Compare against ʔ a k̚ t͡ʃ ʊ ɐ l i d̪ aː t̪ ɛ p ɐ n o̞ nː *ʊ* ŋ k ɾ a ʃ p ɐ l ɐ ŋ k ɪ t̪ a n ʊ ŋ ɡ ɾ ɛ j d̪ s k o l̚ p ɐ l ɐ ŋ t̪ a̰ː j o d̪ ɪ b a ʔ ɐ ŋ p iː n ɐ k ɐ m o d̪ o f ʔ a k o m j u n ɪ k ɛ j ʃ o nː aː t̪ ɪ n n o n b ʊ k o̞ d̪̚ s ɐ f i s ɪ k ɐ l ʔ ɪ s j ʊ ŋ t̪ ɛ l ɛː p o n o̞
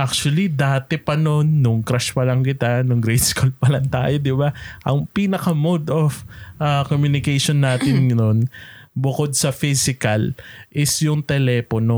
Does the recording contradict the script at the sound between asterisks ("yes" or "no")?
no